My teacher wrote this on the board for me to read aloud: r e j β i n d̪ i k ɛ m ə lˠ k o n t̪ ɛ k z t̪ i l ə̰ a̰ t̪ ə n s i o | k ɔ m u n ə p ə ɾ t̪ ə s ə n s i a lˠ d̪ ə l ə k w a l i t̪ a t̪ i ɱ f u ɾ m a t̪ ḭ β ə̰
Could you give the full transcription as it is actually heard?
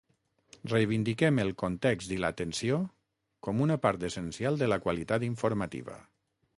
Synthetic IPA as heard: r e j β i n d̪ i k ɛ m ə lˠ k o n t̪ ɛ k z t̪ i l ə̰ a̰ t̪ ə n s i o | k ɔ m u n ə p a ɾ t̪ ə s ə n s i a lˠ d̪ ə l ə k w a l i t̪ a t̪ i ɱ f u ɾ m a t̪ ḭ β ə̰